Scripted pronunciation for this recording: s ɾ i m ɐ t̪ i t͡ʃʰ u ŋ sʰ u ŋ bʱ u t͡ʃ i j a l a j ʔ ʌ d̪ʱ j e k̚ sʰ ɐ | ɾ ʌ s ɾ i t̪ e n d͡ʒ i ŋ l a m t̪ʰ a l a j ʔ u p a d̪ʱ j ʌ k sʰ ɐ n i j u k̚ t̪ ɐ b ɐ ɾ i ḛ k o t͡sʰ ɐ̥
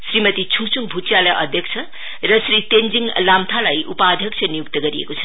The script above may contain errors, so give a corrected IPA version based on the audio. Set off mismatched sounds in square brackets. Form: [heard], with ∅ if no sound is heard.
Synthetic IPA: s ɾ i m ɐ t̪ i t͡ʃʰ u ŋ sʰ u ŋ bʱ u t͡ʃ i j a l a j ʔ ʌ d̪ʱ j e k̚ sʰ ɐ | ɾ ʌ s ɾ i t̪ e n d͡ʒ i ŋ l a m t̪ʰ a l a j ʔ u p a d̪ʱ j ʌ k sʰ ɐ n i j u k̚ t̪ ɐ [ɡ] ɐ ɾ i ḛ k o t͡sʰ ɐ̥